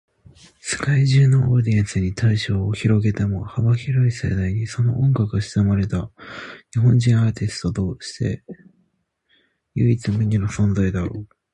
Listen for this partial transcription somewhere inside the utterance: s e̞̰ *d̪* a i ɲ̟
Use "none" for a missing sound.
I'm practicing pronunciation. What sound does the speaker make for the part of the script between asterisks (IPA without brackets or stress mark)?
d̪